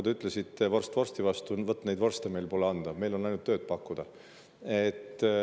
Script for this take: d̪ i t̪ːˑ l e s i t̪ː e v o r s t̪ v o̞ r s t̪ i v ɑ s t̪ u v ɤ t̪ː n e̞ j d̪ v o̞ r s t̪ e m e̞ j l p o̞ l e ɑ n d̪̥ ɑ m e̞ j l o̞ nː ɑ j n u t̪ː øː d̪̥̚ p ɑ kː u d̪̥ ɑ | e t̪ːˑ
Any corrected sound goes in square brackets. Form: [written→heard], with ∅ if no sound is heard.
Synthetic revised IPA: d̪ [i→y] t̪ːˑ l e s i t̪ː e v o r s t̪ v o̞ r s t̪ i v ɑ s t̪ u v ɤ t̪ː n e̞ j d̪ v o̞ r s t̪ e m e̞ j l p o̞ l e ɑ n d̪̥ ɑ m e̞ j l o̞ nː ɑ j n u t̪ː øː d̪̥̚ p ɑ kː u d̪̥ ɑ | e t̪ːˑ